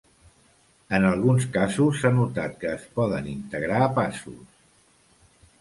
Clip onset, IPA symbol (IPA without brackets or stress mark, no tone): ə